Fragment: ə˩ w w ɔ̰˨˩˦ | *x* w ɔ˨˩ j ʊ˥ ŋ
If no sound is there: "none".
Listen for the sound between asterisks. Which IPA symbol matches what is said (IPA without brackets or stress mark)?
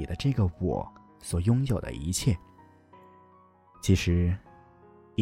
s